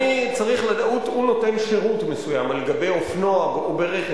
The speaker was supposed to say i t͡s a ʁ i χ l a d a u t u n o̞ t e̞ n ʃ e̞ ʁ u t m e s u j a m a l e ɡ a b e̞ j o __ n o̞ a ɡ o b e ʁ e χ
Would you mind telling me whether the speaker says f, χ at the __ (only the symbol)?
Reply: f